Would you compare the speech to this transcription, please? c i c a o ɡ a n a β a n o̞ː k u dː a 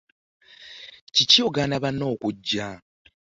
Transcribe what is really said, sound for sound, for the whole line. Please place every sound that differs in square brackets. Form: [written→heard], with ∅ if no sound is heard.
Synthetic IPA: c i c [a→i] o ɡ a n a β a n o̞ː k u [dː→ɟː] a